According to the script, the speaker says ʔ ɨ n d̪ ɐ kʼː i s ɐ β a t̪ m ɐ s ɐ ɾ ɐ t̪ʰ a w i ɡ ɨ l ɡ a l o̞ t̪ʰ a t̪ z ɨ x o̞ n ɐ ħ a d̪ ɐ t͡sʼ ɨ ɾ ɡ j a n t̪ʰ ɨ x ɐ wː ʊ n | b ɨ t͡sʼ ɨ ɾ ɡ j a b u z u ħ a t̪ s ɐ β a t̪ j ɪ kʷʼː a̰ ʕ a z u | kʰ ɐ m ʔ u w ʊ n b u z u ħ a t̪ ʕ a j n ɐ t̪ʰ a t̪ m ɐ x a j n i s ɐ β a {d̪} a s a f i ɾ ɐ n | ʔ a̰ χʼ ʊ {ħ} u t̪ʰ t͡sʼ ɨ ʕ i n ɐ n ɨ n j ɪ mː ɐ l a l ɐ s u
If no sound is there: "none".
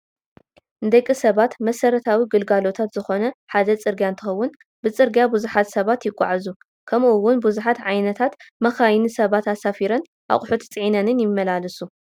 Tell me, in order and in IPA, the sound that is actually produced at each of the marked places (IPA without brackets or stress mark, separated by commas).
t̪, ħ